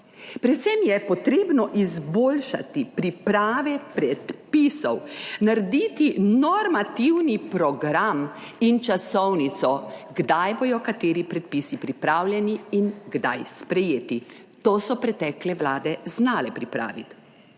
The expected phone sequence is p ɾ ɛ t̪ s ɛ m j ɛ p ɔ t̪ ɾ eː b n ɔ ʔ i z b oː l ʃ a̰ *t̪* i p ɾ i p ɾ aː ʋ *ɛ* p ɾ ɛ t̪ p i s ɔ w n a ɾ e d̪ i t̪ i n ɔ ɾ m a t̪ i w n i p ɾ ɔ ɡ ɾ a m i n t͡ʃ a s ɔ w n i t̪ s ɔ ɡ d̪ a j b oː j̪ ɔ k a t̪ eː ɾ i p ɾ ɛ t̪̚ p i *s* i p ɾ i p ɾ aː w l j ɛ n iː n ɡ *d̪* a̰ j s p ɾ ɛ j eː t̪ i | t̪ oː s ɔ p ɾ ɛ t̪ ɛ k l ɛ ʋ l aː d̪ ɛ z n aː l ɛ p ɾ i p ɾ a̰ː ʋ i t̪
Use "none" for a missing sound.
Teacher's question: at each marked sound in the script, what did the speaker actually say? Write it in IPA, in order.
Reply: t̪, ɛ, s, d̪

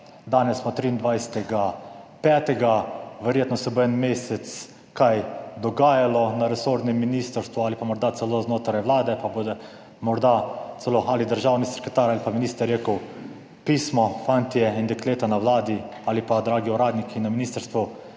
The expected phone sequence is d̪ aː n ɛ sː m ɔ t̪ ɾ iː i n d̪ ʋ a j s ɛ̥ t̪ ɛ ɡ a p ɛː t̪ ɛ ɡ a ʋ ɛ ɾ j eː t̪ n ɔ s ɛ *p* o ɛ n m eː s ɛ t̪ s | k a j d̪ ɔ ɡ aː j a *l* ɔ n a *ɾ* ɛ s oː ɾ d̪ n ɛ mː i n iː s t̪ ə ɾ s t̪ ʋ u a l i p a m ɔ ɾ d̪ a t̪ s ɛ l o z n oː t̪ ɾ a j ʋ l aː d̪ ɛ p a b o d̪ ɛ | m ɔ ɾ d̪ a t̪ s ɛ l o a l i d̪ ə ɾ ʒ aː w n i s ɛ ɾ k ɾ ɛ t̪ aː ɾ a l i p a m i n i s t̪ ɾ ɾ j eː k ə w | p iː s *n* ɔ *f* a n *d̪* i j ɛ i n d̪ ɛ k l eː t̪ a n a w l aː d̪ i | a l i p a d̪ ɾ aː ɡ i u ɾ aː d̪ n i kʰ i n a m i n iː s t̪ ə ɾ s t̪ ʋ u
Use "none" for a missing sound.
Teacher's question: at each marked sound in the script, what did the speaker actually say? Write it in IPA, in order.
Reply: b, l, ɾ, m, f, t̪

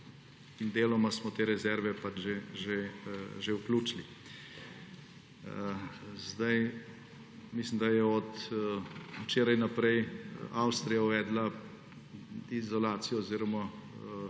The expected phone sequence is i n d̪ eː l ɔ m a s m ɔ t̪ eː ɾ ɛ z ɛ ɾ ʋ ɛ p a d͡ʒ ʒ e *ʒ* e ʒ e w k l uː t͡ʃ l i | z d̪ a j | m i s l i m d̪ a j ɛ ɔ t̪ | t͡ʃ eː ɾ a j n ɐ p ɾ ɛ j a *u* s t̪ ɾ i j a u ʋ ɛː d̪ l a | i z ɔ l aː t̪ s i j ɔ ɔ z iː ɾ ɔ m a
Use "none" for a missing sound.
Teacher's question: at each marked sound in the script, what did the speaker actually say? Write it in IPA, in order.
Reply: ʒ, w

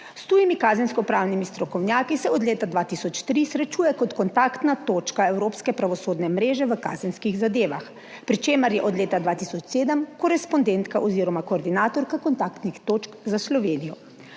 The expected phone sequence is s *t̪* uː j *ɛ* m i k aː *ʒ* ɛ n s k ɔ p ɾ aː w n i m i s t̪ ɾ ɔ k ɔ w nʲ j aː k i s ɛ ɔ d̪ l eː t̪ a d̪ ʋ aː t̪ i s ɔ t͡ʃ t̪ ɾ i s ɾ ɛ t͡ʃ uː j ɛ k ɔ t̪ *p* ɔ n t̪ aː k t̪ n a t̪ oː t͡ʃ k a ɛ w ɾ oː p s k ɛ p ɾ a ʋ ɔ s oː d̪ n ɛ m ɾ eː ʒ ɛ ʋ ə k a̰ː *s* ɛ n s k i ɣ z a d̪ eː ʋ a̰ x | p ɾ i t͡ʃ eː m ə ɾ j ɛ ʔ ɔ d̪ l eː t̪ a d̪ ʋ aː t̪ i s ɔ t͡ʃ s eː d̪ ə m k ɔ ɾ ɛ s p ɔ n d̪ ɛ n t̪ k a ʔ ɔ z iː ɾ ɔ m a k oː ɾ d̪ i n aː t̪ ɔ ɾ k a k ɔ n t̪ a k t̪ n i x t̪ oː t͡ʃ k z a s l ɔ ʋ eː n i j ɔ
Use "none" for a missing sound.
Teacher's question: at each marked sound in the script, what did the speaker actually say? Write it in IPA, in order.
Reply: t̪, i, z, k, z

